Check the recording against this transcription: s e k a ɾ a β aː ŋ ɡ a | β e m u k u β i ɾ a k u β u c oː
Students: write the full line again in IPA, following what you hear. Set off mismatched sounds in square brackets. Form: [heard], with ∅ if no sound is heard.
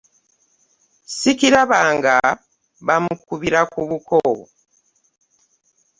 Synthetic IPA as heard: s [i] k [i] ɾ a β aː ŋ ɡ a | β [a] m u k u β i ɾ a k u β u [k] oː